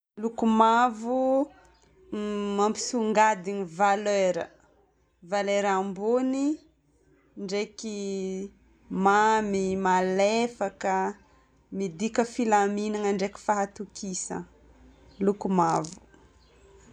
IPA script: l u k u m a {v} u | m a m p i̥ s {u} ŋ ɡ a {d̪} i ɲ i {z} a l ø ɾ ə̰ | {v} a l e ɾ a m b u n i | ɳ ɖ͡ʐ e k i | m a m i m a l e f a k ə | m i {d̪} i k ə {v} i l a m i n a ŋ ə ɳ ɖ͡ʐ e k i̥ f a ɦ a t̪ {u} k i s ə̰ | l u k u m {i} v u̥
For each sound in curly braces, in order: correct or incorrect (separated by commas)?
correct, correct, correct, incorrect, correct, correct, incorrect, correct, incorrect